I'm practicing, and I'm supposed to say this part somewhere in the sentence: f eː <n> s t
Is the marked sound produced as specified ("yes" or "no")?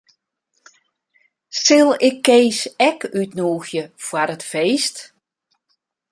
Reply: no